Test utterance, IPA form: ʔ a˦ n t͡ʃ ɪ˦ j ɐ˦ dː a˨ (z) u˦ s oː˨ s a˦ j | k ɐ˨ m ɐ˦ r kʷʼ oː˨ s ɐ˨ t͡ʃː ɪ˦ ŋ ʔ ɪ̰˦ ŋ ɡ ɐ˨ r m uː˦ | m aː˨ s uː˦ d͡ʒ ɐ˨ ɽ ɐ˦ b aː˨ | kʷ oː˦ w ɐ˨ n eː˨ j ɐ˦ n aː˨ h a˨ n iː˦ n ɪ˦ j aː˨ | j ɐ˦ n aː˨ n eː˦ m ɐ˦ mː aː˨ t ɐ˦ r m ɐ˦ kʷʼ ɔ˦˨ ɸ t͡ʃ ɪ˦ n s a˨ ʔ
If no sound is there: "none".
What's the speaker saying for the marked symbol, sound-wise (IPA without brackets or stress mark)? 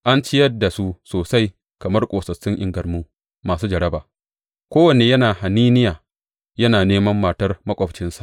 s